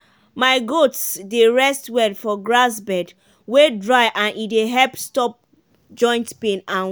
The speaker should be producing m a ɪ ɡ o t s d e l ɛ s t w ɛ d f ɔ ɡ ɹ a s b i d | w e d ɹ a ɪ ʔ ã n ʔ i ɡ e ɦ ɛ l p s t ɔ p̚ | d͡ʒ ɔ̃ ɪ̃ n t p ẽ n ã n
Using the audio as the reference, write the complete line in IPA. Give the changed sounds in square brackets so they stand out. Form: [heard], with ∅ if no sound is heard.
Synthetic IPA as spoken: m a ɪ ɡ o t s d e [ɹ] ɛ s t w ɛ d f ɔ ɡ ɹ a s b [ɛ] d | w e d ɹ a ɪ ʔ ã n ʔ i [d] e ɦ ɛ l p s t ɔ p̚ | d͡ʒ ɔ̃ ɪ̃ n t p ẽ n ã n